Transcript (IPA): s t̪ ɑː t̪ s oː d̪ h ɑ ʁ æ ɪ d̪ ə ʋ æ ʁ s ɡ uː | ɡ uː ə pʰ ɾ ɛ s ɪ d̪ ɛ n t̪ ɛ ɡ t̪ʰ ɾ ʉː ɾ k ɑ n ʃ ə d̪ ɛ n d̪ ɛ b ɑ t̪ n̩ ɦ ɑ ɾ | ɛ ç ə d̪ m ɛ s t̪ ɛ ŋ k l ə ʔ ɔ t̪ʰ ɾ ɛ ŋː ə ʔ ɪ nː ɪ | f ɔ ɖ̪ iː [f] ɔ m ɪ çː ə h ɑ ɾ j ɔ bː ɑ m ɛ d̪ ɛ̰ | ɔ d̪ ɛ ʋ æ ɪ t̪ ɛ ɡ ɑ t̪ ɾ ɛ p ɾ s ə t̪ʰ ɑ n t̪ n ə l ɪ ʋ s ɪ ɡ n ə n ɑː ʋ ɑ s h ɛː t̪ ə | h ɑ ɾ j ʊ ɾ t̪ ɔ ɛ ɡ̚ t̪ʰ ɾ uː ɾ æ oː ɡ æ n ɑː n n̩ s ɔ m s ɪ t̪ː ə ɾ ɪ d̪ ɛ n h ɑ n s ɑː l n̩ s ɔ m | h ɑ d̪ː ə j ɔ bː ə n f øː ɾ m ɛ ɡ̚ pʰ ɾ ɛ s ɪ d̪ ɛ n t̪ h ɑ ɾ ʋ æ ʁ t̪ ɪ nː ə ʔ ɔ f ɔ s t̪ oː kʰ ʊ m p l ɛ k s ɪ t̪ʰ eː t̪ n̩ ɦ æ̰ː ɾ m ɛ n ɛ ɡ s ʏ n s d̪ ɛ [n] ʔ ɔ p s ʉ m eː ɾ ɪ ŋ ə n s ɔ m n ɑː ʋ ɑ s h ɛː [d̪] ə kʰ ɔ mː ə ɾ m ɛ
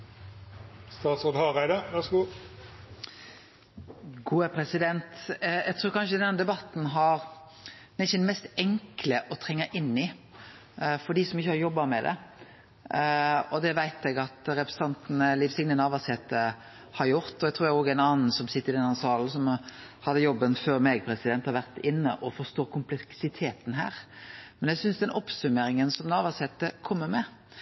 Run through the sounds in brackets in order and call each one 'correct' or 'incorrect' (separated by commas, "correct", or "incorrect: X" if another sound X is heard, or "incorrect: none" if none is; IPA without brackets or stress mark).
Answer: incorrect: s, correct, incorrect: t̪